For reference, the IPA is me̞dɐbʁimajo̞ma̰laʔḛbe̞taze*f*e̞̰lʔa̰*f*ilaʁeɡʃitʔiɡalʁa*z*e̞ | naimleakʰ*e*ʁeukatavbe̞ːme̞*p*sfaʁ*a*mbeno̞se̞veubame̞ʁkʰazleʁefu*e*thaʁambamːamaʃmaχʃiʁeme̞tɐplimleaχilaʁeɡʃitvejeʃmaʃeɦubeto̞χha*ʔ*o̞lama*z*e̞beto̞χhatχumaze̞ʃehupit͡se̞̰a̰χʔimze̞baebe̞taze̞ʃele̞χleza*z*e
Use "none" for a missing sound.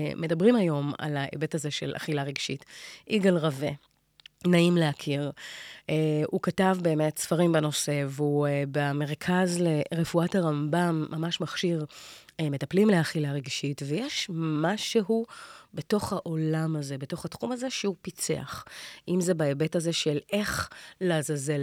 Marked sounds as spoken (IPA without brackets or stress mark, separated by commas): ʃ, χ, v, i, t, i, a, ʔ, z, z